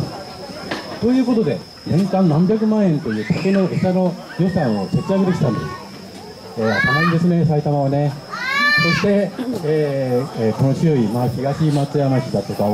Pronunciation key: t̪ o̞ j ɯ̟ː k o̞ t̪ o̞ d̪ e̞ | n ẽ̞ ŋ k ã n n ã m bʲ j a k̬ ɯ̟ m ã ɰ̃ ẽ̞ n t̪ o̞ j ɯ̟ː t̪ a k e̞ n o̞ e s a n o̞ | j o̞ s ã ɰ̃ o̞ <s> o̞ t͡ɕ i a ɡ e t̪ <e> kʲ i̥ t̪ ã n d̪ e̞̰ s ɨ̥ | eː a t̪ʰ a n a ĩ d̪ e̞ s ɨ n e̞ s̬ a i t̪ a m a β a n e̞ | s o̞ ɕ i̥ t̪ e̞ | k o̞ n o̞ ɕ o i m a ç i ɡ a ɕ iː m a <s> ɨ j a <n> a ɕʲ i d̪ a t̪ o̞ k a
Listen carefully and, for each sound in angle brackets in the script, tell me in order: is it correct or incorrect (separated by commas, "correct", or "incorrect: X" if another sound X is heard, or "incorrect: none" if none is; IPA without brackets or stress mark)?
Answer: correct, correct, incorrect: t͡s, incorrect: m